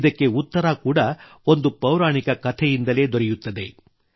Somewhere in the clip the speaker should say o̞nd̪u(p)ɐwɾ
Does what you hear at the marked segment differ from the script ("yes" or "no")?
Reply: no